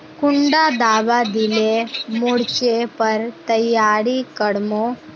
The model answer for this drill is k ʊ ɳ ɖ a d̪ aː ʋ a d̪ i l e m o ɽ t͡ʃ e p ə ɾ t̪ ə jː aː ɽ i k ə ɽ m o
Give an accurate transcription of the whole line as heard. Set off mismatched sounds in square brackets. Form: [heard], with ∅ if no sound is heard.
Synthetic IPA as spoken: k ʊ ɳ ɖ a d̪ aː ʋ a d̪ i l e m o ɽ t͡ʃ e p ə ɾ t̪ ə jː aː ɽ i k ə ɽ m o